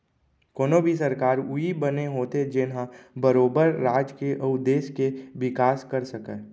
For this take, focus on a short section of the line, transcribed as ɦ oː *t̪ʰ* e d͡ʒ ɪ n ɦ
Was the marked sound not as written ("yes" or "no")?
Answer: yes